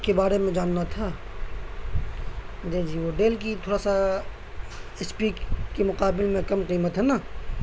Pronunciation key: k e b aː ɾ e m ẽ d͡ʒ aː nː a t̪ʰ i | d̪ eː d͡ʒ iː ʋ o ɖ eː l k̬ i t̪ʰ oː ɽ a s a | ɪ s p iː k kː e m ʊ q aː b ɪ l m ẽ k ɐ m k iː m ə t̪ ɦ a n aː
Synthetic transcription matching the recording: k e b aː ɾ e m ẽ d͡ʒ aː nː a t̪ʰ a | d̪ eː d͡ʒ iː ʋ o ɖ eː l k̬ i t̪ʰ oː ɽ a s a | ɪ s p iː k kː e m ʊ q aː b ɪ l m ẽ k ɐ m q iː m ə t̪ ɦ ɛ n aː